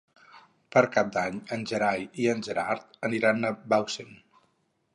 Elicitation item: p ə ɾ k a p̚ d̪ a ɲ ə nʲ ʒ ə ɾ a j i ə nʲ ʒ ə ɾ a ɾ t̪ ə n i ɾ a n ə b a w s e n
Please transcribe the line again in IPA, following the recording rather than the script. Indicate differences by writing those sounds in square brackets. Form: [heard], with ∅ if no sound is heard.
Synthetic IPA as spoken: p ə ɾ k a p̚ d̪ a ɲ ə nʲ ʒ ə ɾ a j i ə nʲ ʒ ə ɾ a ɾ t̪ ə n i ɾ a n ə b a w s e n